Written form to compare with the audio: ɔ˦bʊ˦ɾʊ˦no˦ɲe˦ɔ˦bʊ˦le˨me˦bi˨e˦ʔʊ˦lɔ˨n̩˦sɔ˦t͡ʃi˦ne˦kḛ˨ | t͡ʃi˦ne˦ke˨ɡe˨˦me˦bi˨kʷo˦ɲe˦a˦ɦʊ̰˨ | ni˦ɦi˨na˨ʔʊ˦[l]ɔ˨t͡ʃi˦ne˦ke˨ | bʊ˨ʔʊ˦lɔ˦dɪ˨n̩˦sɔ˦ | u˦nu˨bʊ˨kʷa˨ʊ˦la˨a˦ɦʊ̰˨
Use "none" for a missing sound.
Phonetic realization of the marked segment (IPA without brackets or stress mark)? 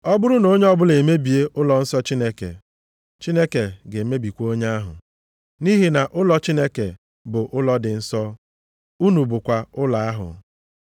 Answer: l